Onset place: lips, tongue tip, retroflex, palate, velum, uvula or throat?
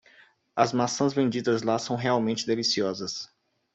tongue tip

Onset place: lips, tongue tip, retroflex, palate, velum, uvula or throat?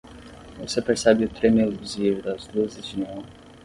lips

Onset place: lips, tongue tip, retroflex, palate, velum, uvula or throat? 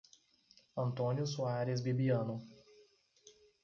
tongue tip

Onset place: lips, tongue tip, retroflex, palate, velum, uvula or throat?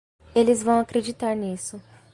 tongue tip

